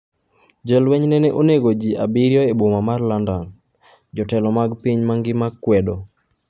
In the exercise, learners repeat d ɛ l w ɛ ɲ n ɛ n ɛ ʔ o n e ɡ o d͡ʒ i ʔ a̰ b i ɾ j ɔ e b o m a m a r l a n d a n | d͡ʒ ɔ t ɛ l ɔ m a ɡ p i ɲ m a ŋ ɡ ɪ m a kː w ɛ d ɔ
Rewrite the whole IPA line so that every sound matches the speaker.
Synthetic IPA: d͡ʒ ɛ l w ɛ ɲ n ɛ n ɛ ʔ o n e ɡ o d͡ʒ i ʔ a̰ b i ɾ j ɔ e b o m a m a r l a n d a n | d͡ʒ ɔ t ɛ l ɔ m a ɡ p i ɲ m a ŋ ɡ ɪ m a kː w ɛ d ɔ